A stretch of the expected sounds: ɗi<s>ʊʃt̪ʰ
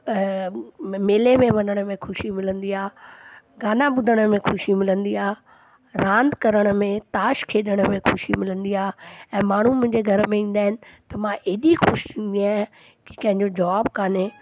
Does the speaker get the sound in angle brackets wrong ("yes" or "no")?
yes